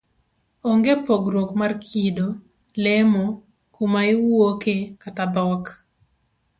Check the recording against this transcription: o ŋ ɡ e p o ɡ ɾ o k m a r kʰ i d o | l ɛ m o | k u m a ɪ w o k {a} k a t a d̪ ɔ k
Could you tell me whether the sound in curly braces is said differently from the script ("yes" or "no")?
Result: yes